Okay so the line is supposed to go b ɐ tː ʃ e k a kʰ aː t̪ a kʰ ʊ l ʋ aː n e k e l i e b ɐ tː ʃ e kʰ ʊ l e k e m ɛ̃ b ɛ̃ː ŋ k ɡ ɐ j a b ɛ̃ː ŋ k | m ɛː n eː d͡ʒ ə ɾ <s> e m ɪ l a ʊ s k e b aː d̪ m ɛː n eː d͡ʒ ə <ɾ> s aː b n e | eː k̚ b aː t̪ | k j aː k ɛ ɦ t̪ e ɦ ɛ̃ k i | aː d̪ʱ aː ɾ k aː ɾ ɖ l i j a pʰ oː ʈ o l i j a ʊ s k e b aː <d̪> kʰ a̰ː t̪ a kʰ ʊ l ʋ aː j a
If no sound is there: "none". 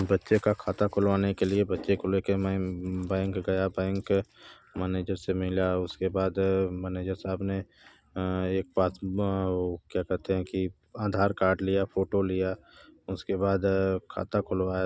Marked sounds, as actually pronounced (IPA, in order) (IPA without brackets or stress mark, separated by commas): s, ɾ, d̪